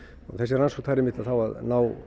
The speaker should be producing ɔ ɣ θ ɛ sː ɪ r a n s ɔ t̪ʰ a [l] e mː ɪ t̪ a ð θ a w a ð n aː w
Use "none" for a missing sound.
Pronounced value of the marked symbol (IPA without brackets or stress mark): ɾ